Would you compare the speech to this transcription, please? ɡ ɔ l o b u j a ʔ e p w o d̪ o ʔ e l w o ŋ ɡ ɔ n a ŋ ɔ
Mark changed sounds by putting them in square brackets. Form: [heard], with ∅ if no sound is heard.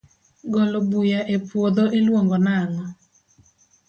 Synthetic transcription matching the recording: ɡ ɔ l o b u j a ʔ e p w o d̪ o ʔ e l w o ŋ ɡ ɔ n a ŋ ɔ